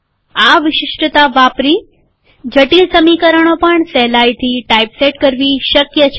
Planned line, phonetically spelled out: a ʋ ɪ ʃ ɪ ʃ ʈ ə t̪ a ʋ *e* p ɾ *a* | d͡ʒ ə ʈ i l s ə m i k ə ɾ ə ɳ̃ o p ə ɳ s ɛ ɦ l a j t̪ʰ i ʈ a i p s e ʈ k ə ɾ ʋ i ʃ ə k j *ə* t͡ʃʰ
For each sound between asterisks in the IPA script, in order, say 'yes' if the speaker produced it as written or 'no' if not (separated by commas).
no, no, yes